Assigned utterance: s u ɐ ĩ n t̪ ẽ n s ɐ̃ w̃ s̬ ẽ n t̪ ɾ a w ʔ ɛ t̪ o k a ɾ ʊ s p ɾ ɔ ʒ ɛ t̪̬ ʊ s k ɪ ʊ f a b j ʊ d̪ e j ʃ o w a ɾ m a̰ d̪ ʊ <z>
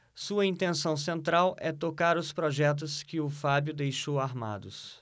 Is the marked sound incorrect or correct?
incorrect